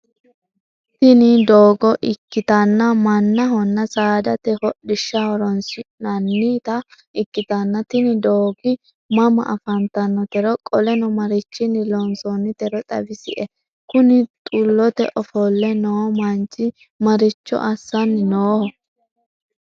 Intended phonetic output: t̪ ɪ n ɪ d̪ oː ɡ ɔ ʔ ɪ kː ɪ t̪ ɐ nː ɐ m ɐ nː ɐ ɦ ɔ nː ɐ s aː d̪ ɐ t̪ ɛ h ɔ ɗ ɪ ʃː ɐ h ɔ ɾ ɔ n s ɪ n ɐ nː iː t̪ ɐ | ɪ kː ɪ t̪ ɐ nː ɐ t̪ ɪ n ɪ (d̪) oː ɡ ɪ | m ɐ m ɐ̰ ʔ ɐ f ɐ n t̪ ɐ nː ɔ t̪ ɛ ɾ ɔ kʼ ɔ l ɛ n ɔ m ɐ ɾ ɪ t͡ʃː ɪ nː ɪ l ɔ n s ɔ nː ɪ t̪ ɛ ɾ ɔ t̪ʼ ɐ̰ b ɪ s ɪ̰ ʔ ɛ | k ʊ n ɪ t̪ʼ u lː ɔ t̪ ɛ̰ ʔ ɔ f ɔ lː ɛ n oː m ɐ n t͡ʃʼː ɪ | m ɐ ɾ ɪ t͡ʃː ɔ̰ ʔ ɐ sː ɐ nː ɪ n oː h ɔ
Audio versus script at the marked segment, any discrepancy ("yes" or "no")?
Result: no